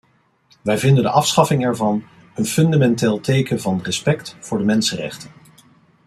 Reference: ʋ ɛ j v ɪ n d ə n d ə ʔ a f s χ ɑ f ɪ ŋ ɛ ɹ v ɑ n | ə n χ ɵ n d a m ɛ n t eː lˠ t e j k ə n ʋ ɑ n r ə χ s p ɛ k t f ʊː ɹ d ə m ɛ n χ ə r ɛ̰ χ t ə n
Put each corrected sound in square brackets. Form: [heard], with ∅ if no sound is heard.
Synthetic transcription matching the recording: ʋ ɛ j v ɪ n d ə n d ə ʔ [ɑ] f s χ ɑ f ɪ ŋ ɛ ɹ v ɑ n | ə n [f] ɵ n d a m ɛ n t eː lˠ t e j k ə n [v] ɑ n r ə [∅] s p ɛ k t f ʊː ɹ d ə m ɛ n [s] ə r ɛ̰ χ t ə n